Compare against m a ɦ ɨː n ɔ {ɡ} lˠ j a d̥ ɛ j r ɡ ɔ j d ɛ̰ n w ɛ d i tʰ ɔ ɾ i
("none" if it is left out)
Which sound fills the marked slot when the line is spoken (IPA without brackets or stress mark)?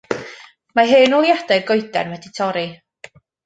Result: none